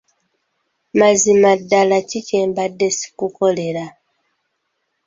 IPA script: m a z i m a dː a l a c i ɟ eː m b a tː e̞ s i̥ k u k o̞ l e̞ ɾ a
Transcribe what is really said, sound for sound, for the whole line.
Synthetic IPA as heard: m a z i m a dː a l a c i c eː m b a dː e̞ s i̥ k u k o̞ l e̞ ɾ a